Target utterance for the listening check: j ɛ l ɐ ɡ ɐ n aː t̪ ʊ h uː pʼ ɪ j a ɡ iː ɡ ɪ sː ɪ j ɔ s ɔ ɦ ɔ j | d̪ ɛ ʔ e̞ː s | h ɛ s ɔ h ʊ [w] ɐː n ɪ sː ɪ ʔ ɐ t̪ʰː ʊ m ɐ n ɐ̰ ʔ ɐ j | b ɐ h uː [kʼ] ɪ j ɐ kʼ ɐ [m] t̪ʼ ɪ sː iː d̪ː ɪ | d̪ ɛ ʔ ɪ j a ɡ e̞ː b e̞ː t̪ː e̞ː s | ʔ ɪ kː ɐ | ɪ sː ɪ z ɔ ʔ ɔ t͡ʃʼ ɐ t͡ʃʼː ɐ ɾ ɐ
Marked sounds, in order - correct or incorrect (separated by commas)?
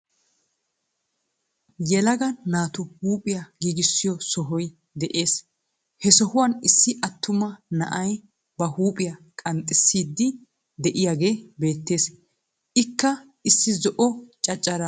correct, incorrect, incorrect